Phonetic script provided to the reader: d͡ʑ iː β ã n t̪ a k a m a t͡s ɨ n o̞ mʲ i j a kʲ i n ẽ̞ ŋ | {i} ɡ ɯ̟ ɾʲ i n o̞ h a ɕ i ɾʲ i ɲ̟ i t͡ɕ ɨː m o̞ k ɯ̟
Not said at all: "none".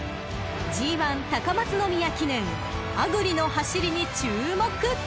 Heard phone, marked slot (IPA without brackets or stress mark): a